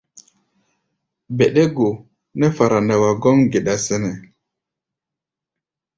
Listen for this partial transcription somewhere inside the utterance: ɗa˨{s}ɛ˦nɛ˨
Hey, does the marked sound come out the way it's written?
yes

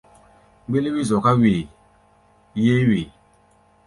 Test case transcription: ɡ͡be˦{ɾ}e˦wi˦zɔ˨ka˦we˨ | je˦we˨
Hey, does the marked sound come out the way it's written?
no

